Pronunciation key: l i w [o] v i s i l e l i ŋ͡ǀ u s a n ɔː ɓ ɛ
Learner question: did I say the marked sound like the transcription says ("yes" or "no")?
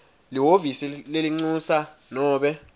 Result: yes